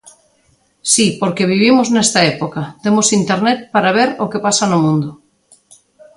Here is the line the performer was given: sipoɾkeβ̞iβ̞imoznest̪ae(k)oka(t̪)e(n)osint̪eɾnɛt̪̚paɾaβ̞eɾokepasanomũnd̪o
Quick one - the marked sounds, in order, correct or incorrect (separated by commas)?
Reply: incorrect, correct, incorrect